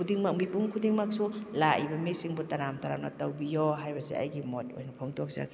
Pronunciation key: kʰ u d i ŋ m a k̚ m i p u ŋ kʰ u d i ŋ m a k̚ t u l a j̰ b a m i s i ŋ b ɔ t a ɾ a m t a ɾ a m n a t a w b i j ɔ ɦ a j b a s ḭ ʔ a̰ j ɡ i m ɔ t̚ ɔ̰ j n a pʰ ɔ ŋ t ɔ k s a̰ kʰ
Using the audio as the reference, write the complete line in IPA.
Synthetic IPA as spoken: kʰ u d i ŋ m a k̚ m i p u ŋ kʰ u d i ŋ m a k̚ s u l a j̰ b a m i s i ŋ b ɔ t a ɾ a m t a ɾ a m n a t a w b i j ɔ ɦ a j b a s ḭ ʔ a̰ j ɡ i m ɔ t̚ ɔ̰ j n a pʰ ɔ ŋ t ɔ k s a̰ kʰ